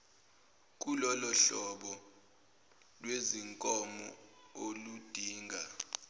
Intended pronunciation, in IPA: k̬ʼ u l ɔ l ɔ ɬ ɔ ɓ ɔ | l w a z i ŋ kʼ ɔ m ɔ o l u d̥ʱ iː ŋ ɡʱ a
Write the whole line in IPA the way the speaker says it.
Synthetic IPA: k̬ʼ u l ɔ l ɔ ɬ ɔ ɓ ɔ | l w e z i ŋ kʼ ɔ m ɔ o l u d̥ʱ iː ŋ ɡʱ a